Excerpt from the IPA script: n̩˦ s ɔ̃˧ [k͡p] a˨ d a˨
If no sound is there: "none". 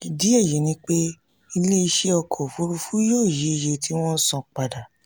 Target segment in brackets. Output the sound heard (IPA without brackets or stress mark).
k͡p